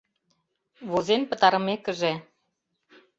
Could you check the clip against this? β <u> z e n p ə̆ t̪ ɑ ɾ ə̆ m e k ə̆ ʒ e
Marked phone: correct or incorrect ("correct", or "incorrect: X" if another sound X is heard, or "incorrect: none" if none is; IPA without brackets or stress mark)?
incorrect: o